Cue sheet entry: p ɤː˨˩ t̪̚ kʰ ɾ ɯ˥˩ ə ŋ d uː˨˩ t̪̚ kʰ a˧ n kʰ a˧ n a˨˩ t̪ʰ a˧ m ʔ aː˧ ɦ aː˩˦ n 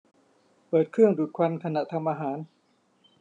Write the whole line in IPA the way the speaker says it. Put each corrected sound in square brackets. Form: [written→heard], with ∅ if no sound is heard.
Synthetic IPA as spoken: p ɤː˨˩ t̪̚ kʰ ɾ ɯ˥˩ ə ŋ d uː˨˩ t̪̚ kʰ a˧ n kʰ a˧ n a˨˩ t̪ʰ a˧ m ʔ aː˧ ɦ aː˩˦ n